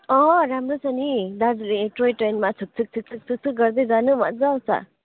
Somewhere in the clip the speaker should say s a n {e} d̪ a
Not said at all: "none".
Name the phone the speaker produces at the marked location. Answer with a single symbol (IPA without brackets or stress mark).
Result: i